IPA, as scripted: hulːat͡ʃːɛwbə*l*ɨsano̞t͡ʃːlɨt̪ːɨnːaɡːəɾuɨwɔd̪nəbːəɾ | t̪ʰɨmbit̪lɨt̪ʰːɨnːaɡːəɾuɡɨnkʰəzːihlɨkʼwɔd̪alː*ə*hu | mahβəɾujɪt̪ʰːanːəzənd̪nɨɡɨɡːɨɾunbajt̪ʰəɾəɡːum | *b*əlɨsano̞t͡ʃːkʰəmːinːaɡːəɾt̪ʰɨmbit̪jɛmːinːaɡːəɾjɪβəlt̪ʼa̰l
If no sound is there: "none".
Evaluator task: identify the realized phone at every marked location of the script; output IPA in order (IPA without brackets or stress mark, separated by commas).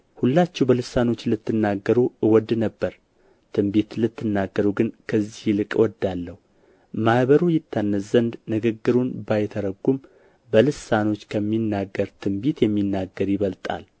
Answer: l, ə, b